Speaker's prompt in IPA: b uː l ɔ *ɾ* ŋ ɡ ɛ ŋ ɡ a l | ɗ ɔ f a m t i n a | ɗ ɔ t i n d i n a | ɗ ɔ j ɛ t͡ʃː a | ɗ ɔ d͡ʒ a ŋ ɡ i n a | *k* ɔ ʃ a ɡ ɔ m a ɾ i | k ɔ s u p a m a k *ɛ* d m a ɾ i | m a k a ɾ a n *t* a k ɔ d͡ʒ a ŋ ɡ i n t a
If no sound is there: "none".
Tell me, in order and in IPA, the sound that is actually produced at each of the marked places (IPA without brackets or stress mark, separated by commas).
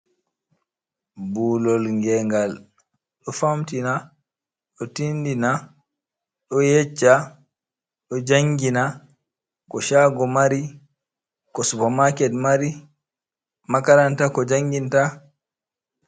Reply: l, k, ɛ, t